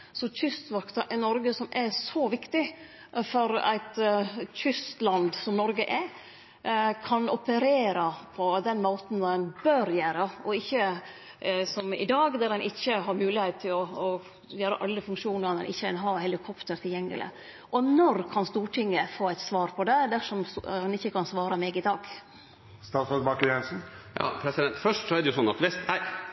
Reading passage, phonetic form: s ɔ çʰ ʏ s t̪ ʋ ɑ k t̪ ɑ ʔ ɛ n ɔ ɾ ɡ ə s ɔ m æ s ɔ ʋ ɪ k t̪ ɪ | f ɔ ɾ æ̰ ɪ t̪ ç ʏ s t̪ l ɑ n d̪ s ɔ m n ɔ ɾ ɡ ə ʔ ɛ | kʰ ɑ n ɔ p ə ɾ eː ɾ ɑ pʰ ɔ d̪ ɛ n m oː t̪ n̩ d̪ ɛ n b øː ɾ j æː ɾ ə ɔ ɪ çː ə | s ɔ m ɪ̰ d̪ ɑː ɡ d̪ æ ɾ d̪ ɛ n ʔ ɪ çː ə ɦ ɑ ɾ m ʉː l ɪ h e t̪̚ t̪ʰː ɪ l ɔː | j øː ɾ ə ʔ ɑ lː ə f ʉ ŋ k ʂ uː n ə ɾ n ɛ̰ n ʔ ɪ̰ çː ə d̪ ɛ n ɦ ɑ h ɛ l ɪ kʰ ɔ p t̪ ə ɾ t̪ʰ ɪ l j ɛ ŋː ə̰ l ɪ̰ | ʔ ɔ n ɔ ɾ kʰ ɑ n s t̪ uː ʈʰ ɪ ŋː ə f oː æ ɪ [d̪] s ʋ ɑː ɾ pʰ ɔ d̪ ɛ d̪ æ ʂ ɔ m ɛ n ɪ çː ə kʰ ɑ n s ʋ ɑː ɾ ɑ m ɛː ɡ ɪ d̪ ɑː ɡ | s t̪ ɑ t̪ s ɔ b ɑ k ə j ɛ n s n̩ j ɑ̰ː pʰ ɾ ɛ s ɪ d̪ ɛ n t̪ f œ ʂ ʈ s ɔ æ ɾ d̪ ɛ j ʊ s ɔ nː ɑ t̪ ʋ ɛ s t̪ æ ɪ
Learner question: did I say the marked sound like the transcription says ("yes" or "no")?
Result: no